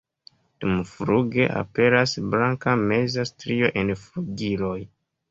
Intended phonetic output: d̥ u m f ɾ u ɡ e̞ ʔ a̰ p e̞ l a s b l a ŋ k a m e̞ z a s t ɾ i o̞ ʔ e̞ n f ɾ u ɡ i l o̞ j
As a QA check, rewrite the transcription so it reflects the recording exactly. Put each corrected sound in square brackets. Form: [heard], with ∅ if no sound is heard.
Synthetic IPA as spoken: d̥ u m f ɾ u ɡ e̞ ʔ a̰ p e̞ [ɾ] a s b l a ŋ k a m e̞ z a s t ɾ i o̞ ʔ e̞ n f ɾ u ɡ i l o̞ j